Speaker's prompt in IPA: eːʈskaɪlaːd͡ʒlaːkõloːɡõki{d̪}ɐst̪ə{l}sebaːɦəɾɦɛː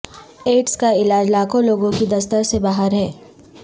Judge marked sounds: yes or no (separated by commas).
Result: yes, no